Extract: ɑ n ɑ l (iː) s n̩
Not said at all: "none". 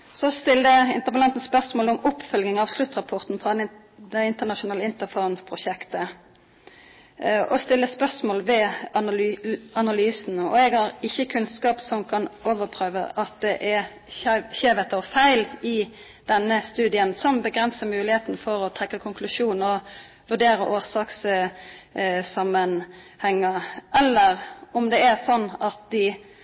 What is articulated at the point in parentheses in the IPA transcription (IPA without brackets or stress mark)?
yː